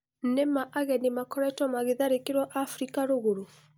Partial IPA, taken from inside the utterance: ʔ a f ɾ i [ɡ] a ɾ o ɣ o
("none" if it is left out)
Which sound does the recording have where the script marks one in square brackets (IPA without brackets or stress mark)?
k